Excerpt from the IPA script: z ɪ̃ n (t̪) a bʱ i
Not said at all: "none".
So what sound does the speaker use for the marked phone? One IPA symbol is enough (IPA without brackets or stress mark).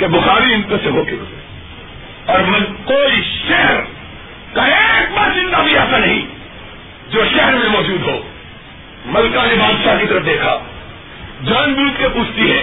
d̪